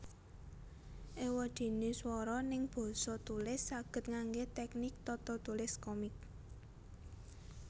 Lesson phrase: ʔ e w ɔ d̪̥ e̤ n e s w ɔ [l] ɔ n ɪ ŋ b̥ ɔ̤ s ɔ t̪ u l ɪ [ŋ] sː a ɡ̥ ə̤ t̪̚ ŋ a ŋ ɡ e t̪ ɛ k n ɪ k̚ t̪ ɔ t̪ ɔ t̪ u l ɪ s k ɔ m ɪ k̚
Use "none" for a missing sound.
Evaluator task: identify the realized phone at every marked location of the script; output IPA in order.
ɾ, none

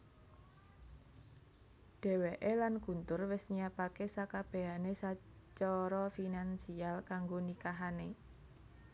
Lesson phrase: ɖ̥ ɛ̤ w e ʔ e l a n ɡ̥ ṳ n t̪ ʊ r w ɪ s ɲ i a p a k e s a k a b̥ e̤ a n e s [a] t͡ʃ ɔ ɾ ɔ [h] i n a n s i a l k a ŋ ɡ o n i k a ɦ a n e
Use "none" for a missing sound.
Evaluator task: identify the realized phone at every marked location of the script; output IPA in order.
a, f

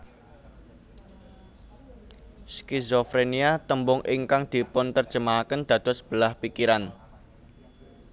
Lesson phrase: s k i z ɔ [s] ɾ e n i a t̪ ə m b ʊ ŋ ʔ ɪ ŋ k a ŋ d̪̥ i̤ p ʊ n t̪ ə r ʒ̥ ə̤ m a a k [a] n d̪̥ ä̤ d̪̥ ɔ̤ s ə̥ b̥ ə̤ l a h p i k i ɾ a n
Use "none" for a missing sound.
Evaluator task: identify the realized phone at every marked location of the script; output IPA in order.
f, ə

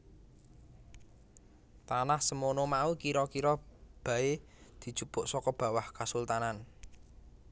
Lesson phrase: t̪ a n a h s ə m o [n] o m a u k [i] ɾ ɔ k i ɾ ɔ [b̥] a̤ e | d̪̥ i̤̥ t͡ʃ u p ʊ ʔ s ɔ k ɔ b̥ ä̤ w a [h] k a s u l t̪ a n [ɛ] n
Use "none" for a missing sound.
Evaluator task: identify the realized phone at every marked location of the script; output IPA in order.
n, i, b̥, h, a

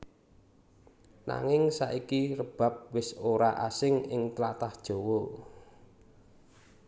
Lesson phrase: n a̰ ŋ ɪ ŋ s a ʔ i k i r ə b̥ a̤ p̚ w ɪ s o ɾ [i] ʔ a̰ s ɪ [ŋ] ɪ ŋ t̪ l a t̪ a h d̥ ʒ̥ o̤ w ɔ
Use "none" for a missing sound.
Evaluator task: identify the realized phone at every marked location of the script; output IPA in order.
a, ŋ

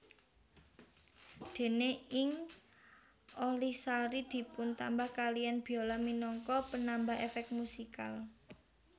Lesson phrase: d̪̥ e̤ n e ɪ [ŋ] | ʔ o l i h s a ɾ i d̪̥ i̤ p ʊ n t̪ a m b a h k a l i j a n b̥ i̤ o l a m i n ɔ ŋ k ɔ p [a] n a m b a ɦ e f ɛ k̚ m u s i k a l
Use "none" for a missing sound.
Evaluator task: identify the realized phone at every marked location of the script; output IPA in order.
ŋ, ə

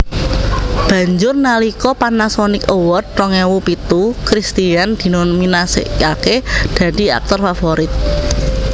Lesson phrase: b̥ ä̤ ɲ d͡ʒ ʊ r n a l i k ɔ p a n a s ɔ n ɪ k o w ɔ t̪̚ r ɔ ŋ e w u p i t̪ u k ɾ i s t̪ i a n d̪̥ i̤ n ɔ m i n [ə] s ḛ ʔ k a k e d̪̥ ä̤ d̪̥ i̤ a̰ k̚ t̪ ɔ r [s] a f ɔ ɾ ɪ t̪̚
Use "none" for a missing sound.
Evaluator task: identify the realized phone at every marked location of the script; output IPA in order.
a, f

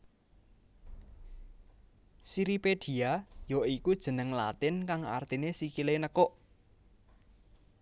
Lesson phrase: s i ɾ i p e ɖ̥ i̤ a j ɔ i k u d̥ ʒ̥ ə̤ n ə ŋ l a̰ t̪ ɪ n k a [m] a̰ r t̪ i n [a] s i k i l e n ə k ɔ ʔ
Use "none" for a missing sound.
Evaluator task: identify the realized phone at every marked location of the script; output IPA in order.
ŋ, e

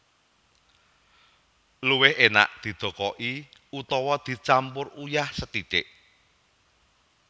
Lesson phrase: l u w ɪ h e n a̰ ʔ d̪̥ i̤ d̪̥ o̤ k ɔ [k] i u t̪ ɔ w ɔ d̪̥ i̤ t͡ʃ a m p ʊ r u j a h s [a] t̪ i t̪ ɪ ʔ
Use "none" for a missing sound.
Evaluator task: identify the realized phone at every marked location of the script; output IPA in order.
ʔ, ə

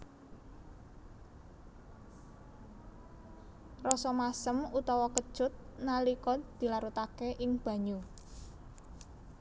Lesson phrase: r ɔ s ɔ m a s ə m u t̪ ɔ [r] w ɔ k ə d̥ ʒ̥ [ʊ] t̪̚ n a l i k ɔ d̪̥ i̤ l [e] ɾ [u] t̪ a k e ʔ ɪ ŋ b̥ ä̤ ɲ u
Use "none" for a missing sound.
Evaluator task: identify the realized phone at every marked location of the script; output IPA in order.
none, ʊ, a, u

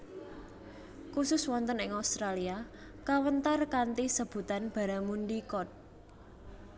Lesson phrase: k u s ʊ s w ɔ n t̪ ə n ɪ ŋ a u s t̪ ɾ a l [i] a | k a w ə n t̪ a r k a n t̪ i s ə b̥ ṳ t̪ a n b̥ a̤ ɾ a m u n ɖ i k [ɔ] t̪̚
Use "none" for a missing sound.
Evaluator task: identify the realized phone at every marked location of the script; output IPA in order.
i, ɔ

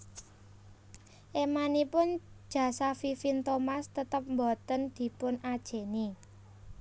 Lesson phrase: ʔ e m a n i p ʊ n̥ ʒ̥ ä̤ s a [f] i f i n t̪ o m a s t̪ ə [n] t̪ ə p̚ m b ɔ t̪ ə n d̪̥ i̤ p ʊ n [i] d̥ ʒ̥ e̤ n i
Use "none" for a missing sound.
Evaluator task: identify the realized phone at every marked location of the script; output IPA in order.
f, none, a

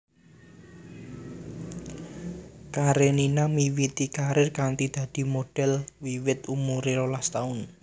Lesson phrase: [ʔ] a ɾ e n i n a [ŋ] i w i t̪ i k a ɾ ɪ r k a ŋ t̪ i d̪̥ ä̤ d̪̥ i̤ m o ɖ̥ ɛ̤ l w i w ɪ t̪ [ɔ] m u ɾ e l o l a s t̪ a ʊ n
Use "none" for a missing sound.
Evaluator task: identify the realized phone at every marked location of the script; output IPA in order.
k, m, u

